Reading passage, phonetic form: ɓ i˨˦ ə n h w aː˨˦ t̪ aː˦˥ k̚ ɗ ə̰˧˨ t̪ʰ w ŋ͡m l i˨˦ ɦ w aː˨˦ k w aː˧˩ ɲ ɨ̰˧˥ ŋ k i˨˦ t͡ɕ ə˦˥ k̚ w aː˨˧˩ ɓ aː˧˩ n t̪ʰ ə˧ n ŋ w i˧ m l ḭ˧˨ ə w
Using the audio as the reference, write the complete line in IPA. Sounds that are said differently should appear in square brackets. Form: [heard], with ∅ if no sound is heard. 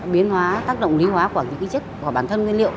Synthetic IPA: ɓ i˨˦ ə n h w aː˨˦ t̪ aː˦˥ k̚ ɗ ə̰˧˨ [∅] w ŋ͡m l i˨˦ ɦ w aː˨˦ k w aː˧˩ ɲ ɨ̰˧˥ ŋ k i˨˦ t͡ɕ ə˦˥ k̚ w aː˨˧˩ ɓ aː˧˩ n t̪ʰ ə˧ n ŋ w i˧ [n] l ḭ˧˨ ə w